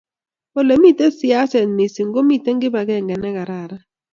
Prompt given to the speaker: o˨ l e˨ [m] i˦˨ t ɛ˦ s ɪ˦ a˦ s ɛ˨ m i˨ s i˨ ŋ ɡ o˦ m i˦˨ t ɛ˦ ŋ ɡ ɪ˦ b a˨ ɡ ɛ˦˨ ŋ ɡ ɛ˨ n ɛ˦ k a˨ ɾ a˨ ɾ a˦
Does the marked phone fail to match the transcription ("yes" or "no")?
no